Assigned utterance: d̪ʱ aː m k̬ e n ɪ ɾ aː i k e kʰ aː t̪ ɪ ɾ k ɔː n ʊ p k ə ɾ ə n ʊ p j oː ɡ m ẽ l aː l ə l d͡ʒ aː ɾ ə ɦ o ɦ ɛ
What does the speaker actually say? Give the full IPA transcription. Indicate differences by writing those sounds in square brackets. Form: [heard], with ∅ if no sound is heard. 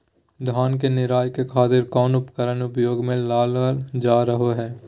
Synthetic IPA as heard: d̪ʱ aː [n] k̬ e n ɪ ɾ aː [j] k e kʰ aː t̪ ɪ ɾ k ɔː n ʊ p k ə ɾ ə n ʊ p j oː ɡ m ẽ l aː l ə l d͡ʒ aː ɾ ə ɦ o ɦ [ɛː]